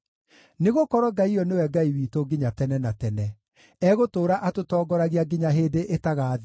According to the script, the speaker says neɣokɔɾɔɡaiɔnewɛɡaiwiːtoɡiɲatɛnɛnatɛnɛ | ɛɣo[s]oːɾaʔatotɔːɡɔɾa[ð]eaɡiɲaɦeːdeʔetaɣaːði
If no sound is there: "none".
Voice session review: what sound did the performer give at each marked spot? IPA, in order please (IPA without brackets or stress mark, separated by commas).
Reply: t, ɣ